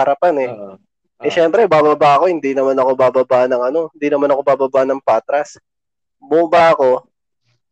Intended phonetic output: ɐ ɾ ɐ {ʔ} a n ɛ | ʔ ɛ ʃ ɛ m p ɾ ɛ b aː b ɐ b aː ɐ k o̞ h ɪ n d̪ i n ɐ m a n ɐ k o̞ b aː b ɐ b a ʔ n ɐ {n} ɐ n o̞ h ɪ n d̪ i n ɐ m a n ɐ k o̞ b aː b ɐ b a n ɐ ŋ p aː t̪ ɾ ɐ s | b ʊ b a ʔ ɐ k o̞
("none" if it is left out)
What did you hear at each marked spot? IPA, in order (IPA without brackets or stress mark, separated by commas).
p, ŋ